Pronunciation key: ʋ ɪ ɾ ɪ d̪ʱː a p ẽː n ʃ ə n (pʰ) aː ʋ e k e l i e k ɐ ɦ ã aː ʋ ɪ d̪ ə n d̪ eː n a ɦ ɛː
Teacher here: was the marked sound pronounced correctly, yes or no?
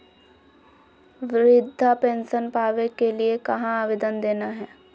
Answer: no